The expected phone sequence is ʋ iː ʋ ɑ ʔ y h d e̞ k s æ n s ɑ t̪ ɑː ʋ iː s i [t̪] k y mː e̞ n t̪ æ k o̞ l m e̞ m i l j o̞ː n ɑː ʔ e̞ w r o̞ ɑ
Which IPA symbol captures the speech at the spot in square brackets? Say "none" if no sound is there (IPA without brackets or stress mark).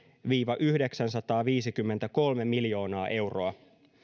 none